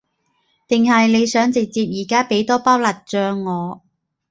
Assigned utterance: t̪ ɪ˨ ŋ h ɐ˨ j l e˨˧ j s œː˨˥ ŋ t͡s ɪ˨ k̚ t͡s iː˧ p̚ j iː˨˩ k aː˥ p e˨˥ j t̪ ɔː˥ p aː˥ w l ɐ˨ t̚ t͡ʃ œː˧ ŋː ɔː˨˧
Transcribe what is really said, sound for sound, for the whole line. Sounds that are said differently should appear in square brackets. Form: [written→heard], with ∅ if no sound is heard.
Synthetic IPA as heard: t̪ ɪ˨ ŋ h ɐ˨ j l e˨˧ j s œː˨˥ ŋ t͡s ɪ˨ k̚ t͡s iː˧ p̚ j iː˨˩ k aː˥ p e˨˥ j t̪ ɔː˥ p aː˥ w l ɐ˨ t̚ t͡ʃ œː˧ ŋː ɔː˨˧